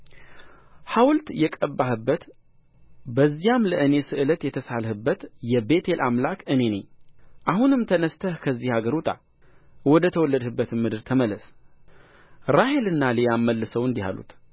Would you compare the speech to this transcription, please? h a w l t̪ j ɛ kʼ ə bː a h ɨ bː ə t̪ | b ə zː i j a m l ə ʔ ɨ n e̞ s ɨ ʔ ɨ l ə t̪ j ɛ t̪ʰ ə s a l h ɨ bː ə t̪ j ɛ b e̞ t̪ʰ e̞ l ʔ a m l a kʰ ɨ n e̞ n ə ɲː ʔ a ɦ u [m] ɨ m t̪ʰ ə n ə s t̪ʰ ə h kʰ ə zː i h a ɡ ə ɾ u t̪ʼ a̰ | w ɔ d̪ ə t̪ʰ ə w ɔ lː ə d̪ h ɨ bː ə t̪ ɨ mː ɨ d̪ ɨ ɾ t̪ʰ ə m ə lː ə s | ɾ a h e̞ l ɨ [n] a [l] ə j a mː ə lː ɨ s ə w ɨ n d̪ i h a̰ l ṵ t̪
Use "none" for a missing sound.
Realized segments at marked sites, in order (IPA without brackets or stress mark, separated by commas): n, nː, l